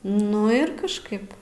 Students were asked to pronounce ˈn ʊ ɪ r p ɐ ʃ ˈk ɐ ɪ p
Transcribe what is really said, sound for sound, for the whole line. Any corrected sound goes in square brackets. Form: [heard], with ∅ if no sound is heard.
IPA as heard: ˈn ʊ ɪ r [k] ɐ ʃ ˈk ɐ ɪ p